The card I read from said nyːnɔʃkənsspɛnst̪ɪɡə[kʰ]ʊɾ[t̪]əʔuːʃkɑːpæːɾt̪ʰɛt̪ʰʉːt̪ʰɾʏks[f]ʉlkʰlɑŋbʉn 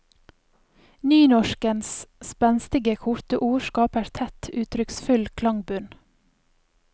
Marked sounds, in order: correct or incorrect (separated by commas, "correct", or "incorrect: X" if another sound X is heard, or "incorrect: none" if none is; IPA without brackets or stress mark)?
correct, correct, correct